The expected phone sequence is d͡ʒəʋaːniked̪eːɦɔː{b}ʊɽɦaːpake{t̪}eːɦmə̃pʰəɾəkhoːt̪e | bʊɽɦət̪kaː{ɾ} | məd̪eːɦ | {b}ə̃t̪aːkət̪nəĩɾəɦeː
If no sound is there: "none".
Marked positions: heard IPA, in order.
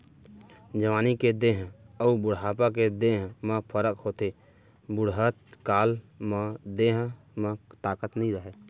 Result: b, d̪, l, m

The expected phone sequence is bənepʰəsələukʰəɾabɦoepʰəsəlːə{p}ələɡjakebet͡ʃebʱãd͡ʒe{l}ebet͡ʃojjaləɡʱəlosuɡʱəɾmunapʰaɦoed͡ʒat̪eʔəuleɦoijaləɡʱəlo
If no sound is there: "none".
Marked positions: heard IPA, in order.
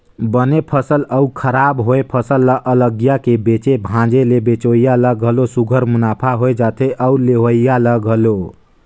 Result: ʔ, l

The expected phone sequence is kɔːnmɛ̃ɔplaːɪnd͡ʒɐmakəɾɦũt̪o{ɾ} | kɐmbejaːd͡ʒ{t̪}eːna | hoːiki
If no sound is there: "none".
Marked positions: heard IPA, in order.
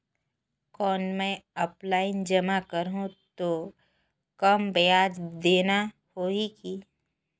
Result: none, d̪

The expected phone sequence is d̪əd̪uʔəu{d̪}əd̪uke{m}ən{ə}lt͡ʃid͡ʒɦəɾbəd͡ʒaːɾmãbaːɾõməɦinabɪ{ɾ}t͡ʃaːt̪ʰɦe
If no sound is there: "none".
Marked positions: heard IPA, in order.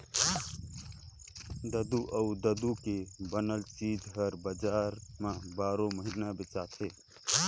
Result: d̪, b, ə, none

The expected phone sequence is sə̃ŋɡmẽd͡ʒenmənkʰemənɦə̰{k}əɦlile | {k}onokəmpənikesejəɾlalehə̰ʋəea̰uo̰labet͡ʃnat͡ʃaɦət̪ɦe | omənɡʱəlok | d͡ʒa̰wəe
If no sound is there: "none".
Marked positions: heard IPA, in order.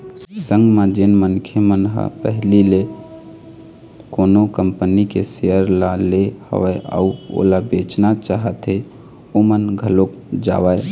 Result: p, k

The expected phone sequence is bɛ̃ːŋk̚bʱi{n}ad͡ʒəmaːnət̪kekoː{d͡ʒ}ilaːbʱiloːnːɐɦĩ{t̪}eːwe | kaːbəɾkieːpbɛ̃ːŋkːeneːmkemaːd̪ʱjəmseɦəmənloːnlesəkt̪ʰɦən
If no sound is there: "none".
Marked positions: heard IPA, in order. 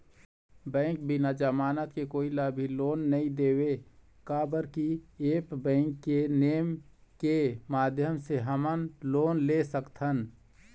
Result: n, none, d̪

